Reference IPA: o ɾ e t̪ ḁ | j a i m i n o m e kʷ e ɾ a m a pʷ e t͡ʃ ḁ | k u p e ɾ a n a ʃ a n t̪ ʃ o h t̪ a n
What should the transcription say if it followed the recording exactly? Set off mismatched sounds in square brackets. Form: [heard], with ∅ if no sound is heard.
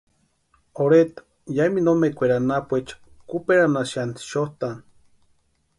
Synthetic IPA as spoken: o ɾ e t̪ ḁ | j a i m i n o m e kʷ e ɾ a [n] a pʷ e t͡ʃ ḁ | k u p e ɾ a n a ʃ a n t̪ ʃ o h t̪ a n